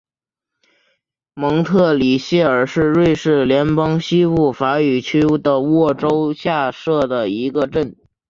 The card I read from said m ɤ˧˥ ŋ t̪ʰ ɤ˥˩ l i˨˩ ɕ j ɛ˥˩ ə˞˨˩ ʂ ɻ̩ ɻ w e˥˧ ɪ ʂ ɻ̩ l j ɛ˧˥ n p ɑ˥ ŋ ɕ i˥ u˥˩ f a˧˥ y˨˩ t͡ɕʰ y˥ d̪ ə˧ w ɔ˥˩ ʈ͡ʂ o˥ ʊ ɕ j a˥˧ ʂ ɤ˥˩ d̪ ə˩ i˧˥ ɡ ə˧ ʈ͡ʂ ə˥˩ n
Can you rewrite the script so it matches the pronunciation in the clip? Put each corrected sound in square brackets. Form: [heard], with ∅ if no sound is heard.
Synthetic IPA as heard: m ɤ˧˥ ŋ t̪ʰ ɤ˥˩ l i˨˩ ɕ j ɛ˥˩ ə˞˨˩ ʂ ɻ̩ ɻ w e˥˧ ɪ ʂ ɻ̩ l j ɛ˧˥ n p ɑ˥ ŋ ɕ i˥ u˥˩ f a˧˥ y˨˩ t͡ɕʰ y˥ d̪ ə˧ w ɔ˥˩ ʈ͡ʂ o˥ ʊ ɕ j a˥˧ ʂ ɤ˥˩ d̪ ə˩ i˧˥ ɡ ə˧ ʈ͡ʂ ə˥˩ n